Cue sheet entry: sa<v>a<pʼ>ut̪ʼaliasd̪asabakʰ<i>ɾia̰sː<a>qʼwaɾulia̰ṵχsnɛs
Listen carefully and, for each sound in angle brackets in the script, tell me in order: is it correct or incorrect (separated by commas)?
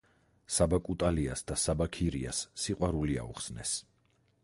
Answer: incorrect, incorrect, correct, incorrect